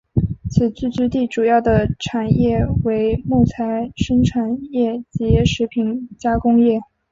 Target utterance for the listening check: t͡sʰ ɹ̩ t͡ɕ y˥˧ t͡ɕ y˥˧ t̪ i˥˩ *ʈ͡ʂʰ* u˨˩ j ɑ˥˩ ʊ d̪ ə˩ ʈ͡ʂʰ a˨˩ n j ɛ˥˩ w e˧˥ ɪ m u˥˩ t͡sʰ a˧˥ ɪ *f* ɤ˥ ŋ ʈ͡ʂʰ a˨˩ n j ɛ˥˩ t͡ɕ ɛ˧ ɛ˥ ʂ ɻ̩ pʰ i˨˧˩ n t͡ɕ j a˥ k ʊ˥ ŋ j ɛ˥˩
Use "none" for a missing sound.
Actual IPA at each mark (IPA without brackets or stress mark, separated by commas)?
ʈ͡ʂ, ʂ